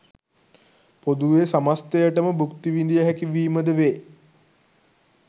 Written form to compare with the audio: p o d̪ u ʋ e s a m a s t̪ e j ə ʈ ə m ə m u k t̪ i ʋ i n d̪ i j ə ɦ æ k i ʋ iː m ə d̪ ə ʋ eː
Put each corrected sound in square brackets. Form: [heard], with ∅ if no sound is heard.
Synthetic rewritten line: p o d̪ u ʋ e s a m a s t̪ e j ə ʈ ə m ə [b] u k t̪ i ʋ i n d̪ i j ə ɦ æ k i ʋ iː m ə d̪ ə ʋ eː

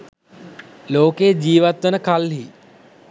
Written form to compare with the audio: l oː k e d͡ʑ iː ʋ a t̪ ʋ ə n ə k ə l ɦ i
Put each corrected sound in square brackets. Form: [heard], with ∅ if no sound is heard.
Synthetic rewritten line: l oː k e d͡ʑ iː ʋ a t̪ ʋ ə n ə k [a] l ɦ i

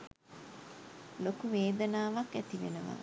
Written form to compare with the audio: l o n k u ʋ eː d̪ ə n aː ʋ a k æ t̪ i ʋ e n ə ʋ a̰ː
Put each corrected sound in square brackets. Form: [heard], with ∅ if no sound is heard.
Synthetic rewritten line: l o [∅] k u ʋ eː d̪ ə n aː ʋ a k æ t̪ i ʋ e n ə ʋ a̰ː

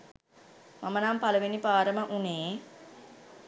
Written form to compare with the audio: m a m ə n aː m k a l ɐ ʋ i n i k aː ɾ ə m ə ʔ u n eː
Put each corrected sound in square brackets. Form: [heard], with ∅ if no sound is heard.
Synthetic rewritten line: m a m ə n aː m [p] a l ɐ ʋ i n i [p] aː ɾ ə m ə ʔ u n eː

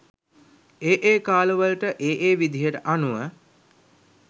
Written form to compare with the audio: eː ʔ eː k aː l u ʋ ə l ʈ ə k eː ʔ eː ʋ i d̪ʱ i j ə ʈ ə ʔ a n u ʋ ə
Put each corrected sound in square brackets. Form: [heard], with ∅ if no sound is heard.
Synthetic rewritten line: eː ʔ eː k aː l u ʋ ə l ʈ ə [ʔ] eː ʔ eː ʋ i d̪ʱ i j ə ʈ ə ʔ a n u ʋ ə

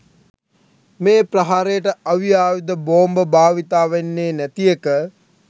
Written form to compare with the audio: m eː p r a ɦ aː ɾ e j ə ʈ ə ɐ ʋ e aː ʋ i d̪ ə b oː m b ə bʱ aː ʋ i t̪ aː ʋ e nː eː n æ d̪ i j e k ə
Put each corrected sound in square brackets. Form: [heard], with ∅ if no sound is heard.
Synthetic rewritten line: m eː p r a ɦ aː ɾ e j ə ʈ ə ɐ ʋ [i] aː ʋ i d̪ ə b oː m b ə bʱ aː ʋ i t̪ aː ʋ e nː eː n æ [t̪] i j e k ə

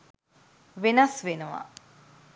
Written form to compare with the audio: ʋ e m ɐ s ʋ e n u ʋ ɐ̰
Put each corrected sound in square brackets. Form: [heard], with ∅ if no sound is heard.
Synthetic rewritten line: ʋ e [n] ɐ s ʋ e n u ʋ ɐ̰

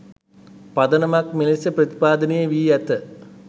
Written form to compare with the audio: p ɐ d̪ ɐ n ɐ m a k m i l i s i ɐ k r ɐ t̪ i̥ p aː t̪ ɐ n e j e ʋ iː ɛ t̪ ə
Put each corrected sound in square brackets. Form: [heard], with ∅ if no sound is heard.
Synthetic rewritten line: p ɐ d̪ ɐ n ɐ m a k m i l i s [j] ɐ [p] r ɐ t̪ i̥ p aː [d̪] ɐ n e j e ʋ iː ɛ t̪ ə

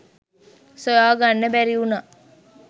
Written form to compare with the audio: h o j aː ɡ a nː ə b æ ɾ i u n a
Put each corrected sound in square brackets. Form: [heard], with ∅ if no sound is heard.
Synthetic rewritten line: [s] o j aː ɡ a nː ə b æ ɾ i u n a

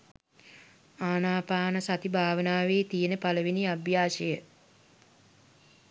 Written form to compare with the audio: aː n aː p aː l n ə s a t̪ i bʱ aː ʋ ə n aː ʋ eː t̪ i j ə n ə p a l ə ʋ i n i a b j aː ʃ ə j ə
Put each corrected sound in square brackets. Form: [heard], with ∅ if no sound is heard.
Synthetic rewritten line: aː n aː p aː [∅] n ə s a t̪ i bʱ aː ʋ ə n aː ʋ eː t̪ i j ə n ə p a l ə ʋ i n i a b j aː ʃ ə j ə

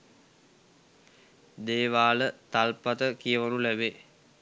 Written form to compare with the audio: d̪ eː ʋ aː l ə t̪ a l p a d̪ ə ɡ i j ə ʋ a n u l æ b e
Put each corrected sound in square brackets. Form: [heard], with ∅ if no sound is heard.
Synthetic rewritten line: d̪ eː ʋ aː l ə t̪ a l p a [t̪] ə [k] i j ə ʋ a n u l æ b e

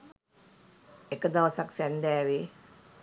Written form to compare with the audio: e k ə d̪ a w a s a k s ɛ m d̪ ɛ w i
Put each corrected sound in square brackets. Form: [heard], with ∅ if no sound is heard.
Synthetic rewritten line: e k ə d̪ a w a s a k s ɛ [n] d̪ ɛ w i

